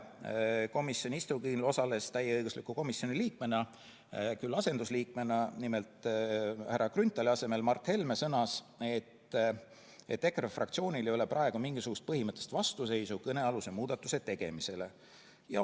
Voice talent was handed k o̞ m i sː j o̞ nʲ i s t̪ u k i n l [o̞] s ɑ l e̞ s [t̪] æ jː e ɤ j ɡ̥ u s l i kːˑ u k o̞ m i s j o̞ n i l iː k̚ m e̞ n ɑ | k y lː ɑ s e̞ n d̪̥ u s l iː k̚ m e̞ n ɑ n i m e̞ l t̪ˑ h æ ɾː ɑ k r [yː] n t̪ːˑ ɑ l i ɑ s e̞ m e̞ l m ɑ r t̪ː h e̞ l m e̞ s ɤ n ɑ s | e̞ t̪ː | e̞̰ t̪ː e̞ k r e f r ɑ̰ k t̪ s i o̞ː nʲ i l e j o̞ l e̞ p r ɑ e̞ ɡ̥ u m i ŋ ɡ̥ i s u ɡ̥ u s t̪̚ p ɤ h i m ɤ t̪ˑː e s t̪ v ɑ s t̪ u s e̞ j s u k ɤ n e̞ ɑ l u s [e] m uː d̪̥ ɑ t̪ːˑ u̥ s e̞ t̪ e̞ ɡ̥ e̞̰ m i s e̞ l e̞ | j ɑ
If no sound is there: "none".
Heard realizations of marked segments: o̞, t̪, y, e

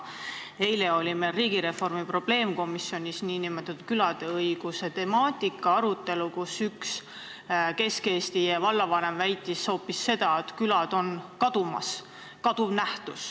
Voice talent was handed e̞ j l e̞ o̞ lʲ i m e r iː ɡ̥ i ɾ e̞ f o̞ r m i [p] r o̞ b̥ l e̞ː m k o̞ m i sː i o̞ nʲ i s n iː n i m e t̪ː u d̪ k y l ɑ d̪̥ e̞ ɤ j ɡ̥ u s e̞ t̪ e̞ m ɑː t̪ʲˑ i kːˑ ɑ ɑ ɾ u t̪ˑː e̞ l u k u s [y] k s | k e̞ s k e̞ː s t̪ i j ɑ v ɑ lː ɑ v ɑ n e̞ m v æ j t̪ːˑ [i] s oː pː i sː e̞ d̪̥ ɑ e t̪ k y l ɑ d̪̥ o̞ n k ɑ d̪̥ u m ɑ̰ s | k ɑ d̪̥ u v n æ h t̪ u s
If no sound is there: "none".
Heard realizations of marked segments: p, y, i

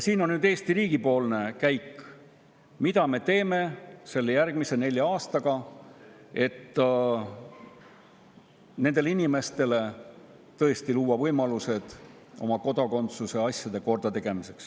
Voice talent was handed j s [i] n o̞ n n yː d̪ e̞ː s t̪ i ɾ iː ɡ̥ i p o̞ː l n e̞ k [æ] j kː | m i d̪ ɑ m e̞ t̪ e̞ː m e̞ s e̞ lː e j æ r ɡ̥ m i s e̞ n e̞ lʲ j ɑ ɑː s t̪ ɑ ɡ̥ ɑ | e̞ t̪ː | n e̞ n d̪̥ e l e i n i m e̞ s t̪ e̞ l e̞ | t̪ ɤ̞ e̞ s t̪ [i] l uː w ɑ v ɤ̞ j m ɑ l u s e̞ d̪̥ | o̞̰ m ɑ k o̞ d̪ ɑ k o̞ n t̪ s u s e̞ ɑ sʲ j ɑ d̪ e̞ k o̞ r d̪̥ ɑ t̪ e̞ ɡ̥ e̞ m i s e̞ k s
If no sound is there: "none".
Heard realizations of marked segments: iː, æ, i

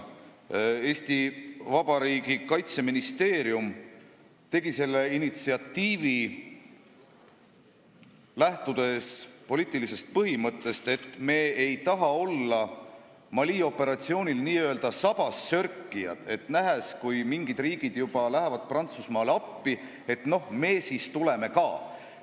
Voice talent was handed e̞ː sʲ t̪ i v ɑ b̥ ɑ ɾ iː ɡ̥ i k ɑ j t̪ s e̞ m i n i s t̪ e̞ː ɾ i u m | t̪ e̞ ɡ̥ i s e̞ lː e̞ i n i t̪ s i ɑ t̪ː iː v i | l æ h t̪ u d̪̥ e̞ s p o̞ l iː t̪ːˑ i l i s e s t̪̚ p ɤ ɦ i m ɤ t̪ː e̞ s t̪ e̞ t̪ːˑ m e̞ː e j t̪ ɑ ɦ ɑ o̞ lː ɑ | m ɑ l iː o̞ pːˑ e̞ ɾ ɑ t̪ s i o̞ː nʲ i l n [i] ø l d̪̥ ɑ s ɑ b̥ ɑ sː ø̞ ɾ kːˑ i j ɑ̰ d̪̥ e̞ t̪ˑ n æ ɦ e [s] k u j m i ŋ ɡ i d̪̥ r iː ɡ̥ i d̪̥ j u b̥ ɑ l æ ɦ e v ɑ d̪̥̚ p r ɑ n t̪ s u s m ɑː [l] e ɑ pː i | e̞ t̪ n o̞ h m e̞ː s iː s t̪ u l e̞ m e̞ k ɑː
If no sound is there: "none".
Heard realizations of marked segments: iː, s, l

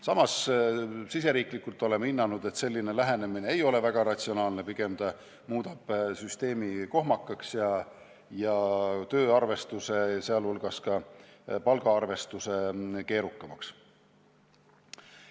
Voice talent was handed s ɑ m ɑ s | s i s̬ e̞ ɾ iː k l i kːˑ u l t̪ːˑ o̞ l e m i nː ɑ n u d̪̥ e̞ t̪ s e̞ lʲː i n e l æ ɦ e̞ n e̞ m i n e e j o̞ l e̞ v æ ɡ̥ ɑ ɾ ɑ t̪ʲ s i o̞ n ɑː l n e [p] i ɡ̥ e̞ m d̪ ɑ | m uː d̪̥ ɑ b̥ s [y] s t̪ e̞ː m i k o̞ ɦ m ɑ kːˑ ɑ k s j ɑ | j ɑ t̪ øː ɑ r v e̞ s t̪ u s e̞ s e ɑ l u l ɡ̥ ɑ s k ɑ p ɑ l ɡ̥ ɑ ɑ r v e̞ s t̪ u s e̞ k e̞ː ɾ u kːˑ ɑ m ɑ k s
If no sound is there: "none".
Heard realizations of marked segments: p, y

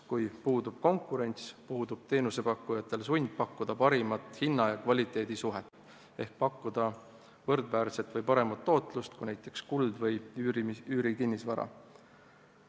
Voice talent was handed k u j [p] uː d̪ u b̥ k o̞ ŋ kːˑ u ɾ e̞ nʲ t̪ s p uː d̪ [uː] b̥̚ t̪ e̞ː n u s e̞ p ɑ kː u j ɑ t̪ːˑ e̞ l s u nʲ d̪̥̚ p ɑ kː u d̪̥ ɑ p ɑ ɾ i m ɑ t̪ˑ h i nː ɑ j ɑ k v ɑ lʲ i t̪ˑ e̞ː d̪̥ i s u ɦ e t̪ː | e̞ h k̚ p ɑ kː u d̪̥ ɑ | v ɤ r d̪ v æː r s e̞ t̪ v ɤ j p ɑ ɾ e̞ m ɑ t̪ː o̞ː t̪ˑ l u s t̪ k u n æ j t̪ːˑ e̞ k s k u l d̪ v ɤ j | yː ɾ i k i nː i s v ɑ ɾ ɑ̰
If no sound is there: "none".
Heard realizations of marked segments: p, u

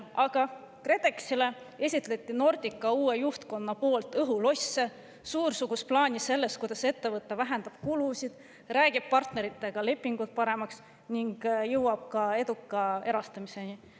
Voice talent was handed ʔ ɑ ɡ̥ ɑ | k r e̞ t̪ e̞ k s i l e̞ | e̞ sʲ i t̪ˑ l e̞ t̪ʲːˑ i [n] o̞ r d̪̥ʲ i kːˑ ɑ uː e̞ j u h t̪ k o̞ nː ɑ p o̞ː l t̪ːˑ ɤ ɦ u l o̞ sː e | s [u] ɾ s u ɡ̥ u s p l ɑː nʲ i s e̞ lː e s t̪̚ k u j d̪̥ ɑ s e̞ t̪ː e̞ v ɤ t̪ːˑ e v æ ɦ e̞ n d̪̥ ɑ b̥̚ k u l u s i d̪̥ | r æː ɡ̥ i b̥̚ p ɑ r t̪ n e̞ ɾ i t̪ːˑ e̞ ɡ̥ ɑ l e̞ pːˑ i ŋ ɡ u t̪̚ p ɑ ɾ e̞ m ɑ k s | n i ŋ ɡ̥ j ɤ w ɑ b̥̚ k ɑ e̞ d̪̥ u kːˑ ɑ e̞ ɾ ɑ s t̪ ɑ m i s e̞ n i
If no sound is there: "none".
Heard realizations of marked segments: n, uː

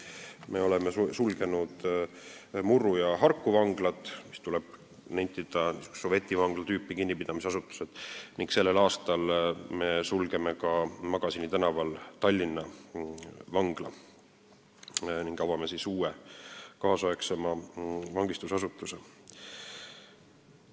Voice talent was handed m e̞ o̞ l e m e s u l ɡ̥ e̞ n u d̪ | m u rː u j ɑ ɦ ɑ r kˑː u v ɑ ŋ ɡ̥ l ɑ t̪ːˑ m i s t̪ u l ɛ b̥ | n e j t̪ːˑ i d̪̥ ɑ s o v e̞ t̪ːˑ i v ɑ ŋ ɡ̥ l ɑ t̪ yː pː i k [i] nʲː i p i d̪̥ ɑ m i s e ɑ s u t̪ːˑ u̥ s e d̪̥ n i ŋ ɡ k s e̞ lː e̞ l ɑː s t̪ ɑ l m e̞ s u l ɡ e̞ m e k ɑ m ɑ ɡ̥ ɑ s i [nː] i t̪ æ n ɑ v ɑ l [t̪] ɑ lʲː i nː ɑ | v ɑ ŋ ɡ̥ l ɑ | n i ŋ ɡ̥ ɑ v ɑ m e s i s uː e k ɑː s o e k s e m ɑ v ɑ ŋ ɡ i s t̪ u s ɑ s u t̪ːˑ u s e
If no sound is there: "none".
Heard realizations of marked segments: i, n, t̪

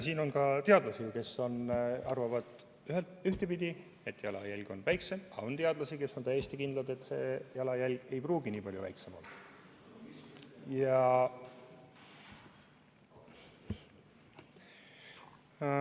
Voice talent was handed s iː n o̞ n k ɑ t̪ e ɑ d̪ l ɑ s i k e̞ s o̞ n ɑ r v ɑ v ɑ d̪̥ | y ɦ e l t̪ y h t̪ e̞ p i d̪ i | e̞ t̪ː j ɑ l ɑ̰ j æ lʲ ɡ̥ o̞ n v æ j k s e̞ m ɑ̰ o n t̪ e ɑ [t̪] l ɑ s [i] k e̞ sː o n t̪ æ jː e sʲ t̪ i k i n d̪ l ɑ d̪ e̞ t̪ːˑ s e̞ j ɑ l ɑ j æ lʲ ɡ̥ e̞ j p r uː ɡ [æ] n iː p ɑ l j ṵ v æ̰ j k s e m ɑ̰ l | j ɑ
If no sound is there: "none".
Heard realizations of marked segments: d̪, i, i

